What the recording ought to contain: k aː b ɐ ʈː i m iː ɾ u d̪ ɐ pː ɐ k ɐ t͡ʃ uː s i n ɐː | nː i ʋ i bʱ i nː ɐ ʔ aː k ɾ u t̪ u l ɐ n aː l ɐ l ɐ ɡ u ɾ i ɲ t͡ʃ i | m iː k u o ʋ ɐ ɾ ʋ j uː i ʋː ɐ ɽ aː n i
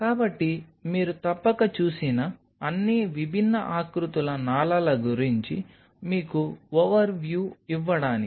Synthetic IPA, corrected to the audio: k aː b ɐ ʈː i m iː ɾ u t̪ ɐ pː ɐ k ɐ t͡ʃ uː s i n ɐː | nː i ʋ i bʱ i nː ɐ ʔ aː k ɾ u t̪ u l ɐ n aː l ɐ l ɐ ɡ u ɾ i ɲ t͡ʃ i | m iː k u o ʋ ɐ ɾ ʋ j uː i ʋː ɐ ɽ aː n i